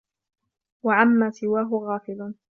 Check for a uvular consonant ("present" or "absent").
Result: absent